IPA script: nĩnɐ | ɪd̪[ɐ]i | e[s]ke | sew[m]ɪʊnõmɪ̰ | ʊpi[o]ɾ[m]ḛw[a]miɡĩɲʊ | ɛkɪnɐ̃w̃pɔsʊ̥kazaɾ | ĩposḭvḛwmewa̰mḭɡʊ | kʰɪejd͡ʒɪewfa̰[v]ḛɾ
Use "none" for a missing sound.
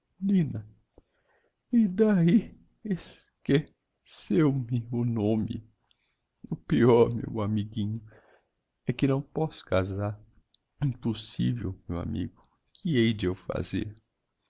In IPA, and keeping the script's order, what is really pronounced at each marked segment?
a, s, m, ɔ, m, a, z

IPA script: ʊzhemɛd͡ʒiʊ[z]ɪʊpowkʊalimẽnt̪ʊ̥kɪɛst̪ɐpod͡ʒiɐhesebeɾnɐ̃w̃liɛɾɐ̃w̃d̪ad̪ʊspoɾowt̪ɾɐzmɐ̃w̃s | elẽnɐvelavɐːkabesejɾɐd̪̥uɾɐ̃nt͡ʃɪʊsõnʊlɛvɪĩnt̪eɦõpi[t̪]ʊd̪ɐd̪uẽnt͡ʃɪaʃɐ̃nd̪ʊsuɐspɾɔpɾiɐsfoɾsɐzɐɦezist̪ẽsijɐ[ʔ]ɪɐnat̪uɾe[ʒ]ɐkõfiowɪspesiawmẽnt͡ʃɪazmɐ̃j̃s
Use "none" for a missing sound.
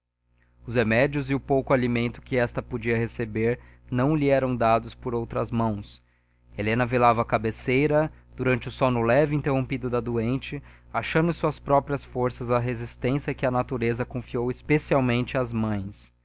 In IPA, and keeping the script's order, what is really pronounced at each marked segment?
z, d̪, k, z

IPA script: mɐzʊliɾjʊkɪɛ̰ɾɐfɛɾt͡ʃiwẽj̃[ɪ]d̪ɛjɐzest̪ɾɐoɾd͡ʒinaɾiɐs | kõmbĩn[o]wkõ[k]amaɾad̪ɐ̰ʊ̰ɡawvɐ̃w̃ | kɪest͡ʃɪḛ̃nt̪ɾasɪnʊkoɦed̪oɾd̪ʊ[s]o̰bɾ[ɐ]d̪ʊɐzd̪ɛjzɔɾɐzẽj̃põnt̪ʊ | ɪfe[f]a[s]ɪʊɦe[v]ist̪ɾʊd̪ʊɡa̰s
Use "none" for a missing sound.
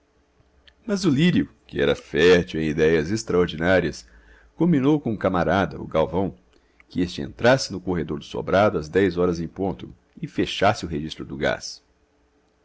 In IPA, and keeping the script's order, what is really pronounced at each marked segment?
i, o, k, s, a, ʃ, s, ʒ

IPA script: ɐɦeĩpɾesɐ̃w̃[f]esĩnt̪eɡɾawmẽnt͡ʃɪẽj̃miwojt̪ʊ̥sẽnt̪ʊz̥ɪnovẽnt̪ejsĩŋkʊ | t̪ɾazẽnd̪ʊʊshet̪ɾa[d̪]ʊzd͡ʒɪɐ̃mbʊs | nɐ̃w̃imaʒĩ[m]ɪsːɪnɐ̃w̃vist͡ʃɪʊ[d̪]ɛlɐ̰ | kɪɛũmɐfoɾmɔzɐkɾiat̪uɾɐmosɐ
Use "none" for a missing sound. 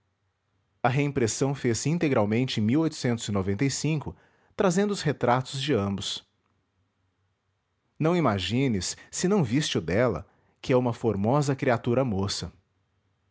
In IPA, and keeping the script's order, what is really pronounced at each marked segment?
f, t̪, n, d̪

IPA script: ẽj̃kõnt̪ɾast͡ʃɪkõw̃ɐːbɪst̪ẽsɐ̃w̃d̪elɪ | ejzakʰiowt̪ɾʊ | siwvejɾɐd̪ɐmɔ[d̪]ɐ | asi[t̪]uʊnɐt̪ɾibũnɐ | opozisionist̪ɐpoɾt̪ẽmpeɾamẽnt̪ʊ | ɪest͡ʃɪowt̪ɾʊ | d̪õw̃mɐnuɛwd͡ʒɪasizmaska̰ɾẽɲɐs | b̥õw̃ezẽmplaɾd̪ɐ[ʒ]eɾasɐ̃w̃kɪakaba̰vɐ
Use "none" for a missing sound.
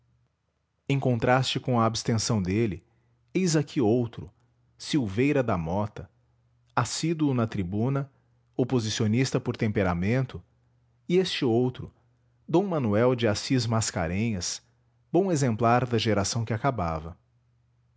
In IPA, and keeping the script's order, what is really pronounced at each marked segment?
t̪, d̪, ʒ

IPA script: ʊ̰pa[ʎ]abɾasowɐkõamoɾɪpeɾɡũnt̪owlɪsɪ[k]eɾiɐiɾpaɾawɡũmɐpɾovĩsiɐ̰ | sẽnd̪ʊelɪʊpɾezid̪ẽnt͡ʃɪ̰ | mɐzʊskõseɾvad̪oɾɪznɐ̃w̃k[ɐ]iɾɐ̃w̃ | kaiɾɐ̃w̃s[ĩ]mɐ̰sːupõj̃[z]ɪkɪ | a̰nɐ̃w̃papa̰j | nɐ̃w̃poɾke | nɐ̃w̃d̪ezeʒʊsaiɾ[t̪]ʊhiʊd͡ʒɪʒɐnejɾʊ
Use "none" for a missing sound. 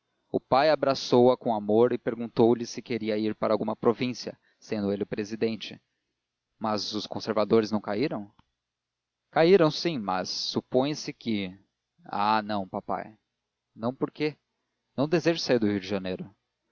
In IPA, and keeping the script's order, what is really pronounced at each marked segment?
j, k, a, ĩ, s, d̪

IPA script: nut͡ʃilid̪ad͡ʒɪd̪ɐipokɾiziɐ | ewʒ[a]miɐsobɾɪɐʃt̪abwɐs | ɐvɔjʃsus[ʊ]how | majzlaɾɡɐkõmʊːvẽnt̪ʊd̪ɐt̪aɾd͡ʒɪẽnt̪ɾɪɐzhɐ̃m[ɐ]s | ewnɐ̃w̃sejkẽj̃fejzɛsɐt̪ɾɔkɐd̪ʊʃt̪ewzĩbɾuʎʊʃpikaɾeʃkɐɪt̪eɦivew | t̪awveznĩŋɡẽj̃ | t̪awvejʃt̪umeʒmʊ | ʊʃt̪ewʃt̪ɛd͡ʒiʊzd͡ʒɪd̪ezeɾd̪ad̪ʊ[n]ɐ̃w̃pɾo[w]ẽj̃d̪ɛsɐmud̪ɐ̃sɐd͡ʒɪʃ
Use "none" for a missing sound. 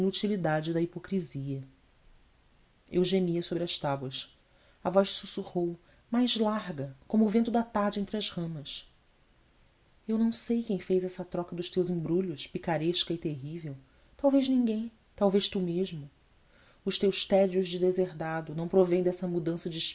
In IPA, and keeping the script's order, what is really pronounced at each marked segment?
e, u, ɐ, n, v

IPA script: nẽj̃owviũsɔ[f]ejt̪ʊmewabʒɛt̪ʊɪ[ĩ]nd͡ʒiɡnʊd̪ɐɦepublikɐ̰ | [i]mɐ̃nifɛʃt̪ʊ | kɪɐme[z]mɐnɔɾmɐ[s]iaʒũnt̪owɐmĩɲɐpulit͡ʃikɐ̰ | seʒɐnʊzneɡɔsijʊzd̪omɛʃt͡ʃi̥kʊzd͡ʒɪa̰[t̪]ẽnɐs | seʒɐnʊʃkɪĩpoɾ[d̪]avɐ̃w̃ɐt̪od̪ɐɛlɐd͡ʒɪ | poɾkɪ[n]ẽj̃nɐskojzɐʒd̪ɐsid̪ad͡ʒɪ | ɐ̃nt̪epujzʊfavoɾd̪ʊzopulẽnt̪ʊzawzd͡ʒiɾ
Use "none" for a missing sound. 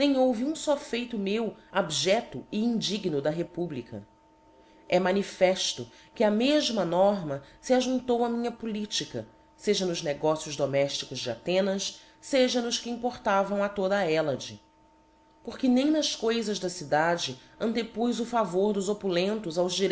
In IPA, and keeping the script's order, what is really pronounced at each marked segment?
f, ĩ, ɛ, ʒ, s, t̪, t̪, n

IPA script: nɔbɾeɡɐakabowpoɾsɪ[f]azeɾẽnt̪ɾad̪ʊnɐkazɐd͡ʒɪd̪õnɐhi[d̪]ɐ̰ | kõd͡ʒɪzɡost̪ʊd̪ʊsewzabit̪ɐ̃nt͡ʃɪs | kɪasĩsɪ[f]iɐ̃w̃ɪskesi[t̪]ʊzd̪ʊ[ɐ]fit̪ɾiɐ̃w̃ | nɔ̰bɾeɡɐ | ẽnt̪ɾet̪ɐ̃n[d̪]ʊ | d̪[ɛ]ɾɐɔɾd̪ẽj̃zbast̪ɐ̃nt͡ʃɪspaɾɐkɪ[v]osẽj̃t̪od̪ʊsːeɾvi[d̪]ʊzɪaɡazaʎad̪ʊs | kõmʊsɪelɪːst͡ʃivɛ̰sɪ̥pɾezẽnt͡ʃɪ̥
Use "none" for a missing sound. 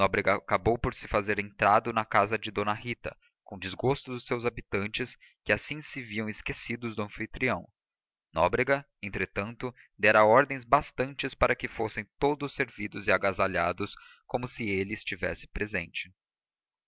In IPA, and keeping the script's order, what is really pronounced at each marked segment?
f, t̪, v, d̪, ɐ̃, t̪, ɛ, f, d̪

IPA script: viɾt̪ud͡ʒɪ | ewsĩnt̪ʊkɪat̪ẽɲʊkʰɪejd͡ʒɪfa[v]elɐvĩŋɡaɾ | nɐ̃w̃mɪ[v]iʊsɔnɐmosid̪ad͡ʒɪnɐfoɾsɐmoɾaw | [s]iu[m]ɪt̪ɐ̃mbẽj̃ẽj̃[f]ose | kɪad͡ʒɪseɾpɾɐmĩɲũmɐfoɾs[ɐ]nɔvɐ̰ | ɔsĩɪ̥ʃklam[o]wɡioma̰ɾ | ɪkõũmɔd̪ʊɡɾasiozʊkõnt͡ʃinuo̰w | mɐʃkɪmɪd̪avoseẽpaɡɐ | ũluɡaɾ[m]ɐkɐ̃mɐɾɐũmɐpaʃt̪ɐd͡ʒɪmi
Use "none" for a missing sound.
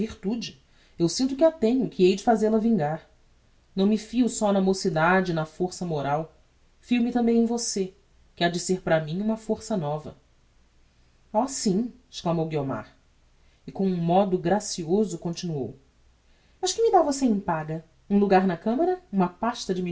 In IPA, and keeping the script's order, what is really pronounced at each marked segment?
z, f, f, m, v, ɐ, o, n

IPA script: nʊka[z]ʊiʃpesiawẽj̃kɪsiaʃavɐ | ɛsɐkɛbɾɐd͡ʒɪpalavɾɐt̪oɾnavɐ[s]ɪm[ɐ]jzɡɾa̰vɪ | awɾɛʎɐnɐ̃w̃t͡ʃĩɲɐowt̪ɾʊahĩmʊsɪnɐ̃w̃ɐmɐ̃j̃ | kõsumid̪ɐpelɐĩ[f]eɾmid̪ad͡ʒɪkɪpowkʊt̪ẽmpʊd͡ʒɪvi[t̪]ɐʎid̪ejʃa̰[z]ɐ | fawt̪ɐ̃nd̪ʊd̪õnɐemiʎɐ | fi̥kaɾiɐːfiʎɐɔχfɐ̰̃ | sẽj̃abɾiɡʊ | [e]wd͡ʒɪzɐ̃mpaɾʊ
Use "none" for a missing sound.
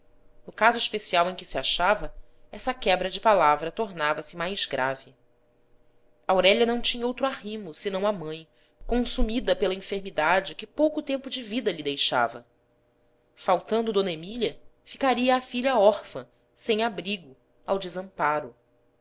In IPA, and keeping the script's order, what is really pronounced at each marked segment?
z, s, a, f, d̪, v, a

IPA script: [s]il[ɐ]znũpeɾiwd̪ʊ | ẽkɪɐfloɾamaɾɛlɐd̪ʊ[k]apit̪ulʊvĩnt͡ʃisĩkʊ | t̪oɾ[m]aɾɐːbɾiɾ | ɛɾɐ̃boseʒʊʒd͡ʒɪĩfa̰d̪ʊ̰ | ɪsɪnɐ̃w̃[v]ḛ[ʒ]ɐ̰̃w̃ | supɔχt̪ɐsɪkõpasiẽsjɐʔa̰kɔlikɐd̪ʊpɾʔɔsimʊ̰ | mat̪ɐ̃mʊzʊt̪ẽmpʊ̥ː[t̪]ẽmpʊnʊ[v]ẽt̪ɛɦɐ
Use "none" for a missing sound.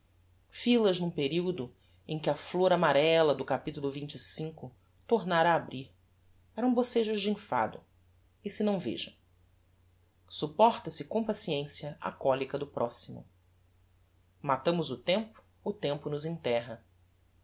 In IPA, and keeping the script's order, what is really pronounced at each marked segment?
f, ɐ, k, n, v, ʒ, t̪, z

